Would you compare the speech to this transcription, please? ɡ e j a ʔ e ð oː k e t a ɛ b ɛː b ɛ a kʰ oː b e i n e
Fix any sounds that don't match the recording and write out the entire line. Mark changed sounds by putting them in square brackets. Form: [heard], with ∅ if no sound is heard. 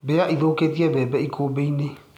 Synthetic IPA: [b] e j a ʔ [i] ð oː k e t [i] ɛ b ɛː b ɛ [i] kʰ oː b e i n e